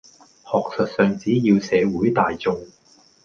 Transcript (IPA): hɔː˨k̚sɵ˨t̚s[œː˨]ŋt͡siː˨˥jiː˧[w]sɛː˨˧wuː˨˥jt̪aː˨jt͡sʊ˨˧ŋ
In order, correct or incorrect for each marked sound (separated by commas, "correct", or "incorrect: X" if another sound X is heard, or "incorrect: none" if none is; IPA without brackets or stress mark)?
correct, correct